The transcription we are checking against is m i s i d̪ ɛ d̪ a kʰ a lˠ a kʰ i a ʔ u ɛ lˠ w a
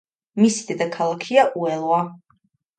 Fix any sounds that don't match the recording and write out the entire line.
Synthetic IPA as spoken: m i s i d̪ ɛ d̪ a kʰ a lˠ a kʰ i a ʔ u ɛ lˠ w a